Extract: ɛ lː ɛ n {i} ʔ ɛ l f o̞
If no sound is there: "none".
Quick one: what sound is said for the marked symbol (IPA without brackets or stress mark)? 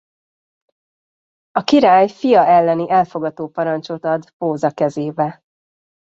i